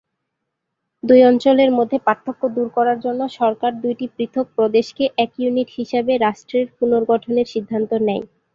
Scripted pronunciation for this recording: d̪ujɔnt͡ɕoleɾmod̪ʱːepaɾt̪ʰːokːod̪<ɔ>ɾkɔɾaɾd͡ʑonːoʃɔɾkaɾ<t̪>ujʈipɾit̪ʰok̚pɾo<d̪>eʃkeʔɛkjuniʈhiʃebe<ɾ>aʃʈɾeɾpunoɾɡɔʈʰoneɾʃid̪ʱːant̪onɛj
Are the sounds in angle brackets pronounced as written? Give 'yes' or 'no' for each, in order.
no, no, yes, yes

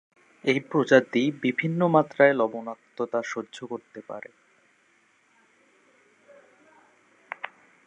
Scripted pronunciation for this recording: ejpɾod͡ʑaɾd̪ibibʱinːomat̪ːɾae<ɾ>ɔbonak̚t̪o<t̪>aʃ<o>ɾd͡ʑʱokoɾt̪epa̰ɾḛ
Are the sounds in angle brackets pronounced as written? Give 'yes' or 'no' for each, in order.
no, yes, yes

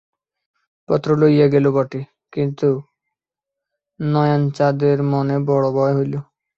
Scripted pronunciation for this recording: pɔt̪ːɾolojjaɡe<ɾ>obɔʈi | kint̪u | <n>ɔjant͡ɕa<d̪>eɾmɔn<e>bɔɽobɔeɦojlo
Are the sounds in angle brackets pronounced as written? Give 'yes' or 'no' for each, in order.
no, yes, yes, yes

